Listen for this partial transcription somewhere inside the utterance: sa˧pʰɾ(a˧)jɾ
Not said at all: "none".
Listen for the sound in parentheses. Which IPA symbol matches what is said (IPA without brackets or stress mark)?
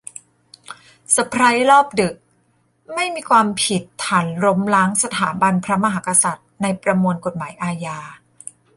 a˦˥